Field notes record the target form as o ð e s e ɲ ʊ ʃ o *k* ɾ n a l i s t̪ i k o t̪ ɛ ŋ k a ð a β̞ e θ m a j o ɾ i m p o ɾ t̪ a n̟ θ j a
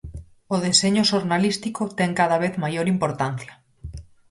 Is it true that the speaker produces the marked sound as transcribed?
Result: no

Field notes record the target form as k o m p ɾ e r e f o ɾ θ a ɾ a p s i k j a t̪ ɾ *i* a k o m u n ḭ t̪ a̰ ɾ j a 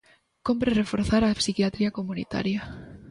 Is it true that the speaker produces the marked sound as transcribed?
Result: yes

